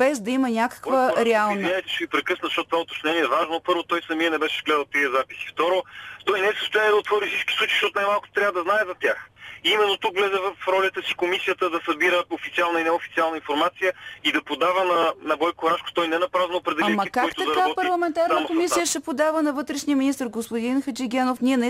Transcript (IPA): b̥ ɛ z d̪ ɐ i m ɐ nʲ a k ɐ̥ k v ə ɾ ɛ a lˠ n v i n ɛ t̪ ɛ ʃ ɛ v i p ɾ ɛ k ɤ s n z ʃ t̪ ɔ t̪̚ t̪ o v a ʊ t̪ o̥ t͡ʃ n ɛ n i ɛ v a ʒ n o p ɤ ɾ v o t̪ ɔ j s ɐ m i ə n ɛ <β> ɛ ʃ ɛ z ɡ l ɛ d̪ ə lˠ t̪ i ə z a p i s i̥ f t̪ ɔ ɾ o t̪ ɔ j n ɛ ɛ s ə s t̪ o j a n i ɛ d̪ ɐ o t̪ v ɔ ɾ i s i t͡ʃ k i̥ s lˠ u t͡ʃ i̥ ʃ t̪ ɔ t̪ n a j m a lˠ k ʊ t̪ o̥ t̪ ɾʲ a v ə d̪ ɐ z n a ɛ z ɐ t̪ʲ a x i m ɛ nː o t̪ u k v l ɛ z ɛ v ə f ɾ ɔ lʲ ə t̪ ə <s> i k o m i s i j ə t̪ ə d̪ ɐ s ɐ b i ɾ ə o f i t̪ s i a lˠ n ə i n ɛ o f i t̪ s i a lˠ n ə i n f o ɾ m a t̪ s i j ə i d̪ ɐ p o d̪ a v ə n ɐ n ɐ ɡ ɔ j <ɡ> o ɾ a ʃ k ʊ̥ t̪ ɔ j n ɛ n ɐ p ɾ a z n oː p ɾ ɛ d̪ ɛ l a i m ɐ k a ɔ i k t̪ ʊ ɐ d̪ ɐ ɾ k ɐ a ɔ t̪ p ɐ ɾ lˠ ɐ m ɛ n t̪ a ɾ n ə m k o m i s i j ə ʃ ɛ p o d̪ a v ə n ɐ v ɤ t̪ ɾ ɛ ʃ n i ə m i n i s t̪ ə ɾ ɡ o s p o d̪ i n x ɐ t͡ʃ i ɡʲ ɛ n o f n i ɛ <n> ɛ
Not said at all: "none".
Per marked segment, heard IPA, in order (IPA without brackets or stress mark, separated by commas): b, s, k, n